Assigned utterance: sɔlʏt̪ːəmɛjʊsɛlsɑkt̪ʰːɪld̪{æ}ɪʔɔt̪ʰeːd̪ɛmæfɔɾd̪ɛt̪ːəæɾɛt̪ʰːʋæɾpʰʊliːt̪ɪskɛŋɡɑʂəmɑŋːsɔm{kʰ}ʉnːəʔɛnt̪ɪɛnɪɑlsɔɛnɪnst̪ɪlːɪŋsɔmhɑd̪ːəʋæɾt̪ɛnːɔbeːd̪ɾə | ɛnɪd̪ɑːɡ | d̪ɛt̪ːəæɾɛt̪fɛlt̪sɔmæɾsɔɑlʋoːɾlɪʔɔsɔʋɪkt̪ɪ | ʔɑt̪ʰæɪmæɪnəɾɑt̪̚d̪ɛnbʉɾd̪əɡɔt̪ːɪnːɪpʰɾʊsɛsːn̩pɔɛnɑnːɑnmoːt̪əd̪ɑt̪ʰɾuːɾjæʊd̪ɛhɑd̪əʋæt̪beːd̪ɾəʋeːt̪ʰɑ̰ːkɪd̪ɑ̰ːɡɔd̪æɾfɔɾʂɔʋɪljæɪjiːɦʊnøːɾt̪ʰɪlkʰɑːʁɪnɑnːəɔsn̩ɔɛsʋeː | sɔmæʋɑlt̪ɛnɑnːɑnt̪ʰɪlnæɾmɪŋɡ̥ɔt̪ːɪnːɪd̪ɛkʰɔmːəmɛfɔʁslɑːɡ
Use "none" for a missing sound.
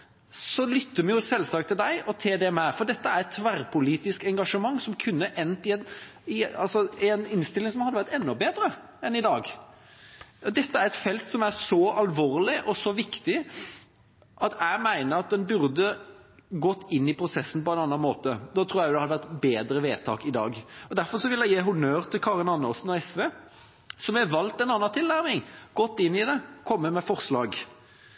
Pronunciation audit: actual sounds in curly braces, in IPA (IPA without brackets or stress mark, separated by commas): æ, kʰ